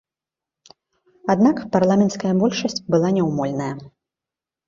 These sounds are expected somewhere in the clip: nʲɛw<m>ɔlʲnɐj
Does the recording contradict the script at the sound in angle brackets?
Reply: no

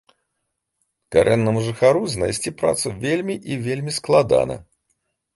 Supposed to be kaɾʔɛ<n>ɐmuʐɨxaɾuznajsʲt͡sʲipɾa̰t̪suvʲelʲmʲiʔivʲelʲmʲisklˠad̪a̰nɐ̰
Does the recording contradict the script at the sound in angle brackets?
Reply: yes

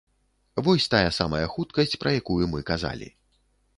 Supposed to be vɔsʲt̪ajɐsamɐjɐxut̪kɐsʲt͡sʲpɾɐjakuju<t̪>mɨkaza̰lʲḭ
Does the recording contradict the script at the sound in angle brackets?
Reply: yes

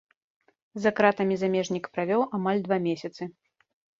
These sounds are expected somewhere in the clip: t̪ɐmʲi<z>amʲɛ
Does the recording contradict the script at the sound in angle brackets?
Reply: no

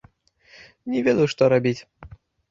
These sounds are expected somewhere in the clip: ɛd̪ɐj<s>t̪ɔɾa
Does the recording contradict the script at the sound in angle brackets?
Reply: yes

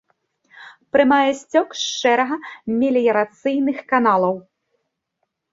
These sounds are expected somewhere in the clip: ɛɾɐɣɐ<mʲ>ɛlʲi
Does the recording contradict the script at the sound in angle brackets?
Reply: no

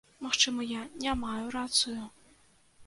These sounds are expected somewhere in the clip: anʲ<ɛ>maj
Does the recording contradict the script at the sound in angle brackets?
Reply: yes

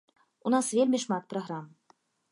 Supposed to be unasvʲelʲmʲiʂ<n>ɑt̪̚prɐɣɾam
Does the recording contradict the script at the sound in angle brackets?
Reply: yes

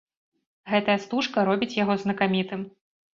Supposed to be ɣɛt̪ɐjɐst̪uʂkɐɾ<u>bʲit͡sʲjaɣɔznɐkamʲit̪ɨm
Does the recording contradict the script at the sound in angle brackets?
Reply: yes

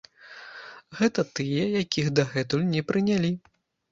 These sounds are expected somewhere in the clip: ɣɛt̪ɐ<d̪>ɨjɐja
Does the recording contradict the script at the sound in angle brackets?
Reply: yes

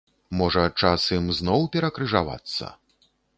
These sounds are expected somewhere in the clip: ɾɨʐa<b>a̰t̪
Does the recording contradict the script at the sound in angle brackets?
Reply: yes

